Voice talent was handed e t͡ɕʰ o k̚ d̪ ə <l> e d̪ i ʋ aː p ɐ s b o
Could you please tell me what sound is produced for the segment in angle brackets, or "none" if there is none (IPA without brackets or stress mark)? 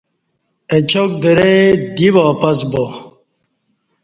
ɾ